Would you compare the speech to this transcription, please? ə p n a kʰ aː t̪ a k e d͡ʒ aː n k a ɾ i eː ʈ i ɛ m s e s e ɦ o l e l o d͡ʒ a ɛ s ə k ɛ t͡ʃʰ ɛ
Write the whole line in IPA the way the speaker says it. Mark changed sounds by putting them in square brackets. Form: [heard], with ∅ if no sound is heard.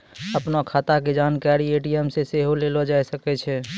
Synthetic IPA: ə p n a kʰ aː t̪ a k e d͡ʒ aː n k a ɾ i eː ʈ i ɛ m s e s e ɦ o l e l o d͡ʒ a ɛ s ə k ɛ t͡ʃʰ ɛ